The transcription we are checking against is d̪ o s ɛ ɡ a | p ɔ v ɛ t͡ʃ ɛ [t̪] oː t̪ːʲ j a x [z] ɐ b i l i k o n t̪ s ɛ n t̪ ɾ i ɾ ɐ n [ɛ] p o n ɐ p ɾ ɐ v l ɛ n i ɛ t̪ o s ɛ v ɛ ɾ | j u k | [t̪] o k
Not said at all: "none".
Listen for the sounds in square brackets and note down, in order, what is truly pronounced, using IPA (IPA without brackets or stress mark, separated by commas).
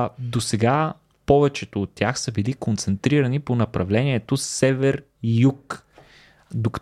t̪, s, i, d̪